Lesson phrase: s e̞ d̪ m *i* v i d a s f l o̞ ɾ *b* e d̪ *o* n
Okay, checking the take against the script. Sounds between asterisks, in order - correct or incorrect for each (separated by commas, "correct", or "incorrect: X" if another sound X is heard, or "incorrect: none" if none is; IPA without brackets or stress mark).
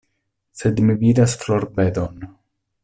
correct, correct, correct